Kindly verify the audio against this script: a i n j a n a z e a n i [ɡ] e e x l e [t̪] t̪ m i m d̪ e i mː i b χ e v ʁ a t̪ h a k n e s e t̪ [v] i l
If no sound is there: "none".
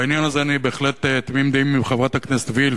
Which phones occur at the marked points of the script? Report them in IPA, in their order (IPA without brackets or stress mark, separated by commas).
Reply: b, t̪, v